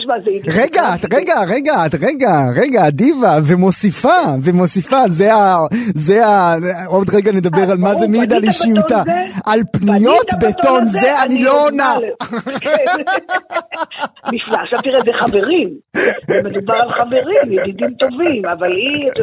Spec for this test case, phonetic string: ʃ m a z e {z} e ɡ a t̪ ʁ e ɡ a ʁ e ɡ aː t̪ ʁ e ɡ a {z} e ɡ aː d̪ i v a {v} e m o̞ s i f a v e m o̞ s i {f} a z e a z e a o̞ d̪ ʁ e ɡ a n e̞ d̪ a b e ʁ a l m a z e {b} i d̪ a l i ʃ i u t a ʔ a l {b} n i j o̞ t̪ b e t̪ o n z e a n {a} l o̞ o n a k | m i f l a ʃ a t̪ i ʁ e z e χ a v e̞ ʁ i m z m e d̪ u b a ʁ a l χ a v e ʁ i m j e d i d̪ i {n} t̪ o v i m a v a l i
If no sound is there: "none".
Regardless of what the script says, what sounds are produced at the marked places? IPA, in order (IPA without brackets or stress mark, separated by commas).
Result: ʁ, ʁ, v, f, m, p, i, m